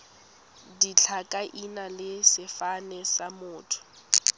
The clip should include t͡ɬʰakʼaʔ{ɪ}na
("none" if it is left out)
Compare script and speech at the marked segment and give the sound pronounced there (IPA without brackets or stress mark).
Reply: i